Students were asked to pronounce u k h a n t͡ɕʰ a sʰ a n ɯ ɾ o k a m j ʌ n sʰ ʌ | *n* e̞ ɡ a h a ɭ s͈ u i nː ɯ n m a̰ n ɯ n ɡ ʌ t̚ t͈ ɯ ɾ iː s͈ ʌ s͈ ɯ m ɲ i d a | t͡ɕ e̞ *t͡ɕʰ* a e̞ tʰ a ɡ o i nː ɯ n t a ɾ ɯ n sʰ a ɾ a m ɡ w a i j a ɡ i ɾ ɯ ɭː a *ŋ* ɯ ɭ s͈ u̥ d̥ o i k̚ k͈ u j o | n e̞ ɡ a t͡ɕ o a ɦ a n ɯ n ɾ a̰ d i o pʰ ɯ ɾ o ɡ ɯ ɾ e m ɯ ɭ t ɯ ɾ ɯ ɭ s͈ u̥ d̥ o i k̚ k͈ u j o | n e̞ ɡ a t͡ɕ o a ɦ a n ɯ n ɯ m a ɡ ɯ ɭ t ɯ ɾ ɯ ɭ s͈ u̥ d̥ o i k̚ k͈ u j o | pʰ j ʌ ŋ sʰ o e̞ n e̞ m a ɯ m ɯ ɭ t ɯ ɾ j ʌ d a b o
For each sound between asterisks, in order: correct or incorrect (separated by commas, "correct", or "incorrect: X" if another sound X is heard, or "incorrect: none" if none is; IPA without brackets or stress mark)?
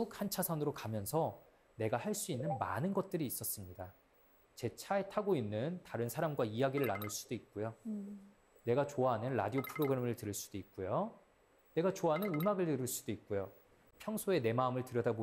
correct, correct, incorrect: n